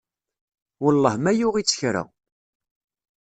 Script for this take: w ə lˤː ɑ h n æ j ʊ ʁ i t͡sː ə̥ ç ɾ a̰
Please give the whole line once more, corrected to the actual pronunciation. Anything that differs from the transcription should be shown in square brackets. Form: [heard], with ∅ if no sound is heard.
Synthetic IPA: w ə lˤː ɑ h [m] æ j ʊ ʁ i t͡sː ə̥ ç ɾ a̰